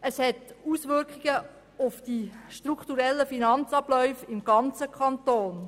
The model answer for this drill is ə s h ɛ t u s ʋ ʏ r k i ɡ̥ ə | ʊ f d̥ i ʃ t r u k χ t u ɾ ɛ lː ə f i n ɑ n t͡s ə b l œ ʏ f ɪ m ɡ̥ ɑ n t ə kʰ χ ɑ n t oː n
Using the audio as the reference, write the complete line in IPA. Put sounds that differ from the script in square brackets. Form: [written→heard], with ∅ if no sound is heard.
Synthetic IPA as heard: ə s h ɛ t u s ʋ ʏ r k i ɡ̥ ə | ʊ f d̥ i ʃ t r u k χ t u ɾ ɛ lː ə f i n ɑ n t͡s [ə→ɑ] b l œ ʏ f ɪ m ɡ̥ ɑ n [t→t͡s] ə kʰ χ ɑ n t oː n